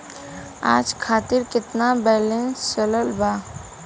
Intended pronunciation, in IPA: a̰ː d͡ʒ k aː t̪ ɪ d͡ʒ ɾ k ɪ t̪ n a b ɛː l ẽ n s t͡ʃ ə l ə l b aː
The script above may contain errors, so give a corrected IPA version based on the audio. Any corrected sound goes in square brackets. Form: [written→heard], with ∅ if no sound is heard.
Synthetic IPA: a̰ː d͡ʒ [k→kʰ] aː t̪ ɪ [d͡ʒ→∅] ɾ k ɪ t̪ n a b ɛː l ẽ n s t͡ʃ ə l ə l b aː